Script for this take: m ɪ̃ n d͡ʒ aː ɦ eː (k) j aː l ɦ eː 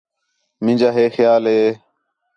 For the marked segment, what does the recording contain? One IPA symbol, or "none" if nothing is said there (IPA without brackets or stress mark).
x